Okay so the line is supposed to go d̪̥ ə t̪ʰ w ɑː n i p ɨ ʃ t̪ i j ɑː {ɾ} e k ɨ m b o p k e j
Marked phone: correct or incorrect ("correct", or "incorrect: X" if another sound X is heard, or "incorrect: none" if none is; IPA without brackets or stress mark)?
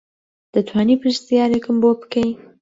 correct